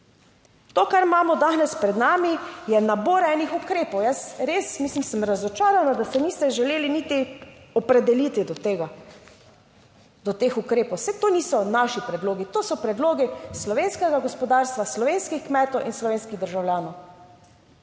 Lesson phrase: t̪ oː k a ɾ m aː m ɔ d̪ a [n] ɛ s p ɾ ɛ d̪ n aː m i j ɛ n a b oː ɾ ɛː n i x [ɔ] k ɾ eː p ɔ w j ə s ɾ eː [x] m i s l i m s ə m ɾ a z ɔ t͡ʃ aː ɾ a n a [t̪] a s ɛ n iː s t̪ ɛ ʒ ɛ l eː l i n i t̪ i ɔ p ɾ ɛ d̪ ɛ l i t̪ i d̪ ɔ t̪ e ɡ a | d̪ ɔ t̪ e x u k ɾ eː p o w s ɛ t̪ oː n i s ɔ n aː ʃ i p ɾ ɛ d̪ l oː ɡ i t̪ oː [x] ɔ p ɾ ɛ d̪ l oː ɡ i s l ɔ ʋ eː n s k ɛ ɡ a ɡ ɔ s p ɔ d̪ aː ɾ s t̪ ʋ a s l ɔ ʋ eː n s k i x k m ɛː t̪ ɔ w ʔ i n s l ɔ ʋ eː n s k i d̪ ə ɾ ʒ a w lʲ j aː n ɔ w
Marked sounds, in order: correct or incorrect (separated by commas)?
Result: correct, incorrect, incorrect, incorrect, incorrect